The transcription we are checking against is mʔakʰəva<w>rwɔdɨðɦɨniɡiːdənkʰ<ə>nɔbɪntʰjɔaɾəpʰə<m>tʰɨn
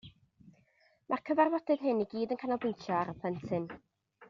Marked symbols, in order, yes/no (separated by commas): no, no, no